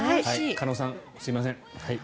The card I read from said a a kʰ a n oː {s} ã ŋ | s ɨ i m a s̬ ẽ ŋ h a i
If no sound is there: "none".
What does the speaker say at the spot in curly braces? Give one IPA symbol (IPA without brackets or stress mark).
s